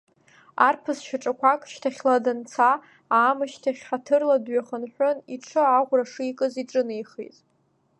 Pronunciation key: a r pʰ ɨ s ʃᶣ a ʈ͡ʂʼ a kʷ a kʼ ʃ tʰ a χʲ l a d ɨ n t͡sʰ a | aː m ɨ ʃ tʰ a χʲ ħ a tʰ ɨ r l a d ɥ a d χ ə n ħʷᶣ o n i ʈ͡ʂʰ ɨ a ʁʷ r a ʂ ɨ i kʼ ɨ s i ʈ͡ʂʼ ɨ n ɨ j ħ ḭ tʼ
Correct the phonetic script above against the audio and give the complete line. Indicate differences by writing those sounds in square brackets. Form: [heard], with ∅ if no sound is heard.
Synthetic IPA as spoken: a r pʰ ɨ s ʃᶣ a ʈ͡ʂʼ a kʷ a kʼ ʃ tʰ a χʲ l a d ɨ n t͡sʰ a | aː m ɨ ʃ tʰ a χʲ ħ a tʰ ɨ r l a d ɥ a [∅] χ ə n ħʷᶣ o n i ʈ͡ʂʰ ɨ a ʁʷ r a ʂ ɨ i kʼ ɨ [z] i ʈ͡ʂʼ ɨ n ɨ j [χ] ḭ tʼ